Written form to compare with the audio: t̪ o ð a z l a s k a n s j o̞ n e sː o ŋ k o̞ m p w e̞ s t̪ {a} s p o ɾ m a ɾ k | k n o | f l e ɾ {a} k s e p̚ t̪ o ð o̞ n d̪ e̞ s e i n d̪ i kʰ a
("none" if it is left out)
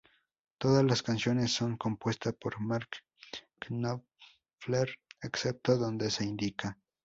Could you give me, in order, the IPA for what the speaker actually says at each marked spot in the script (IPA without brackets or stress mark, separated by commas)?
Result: a, e